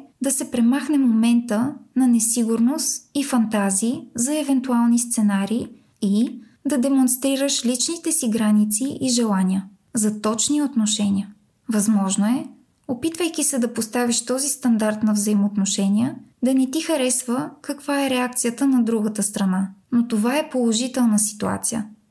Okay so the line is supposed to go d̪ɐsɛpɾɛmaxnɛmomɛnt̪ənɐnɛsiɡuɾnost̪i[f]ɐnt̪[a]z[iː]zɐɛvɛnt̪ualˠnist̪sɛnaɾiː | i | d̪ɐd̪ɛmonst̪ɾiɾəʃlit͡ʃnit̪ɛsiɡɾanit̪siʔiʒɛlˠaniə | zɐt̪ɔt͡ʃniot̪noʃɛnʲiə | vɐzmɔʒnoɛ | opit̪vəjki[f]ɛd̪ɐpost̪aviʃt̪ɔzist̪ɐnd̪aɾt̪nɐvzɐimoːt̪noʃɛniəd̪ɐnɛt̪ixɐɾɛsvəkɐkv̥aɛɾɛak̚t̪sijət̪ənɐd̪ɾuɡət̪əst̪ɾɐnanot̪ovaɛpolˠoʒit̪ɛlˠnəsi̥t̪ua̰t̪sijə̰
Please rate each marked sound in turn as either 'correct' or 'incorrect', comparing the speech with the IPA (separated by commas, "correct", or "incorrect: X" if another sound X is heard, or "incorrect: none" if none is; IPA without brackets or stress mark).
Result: correct, correct, correct, incorrect: s